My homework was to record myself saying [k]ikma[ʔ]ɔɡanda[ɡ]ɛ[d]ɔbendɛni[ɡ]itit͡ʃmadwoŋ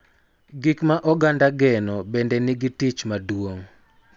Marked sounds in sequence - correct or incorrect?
incorrect: ɡ, correct, correct, incorrect: n, correct

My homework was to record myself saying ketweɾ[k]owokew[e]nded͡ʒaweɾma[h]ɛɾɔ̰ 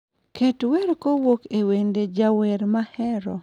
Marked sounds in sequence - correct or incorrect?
correct, correct, correct

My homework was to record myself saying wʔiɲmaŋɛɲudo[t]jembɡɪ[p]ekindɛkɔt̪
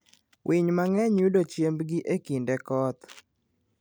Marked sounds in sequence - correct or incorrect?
incorrect: t͡ʃ, incorrect: ʔ

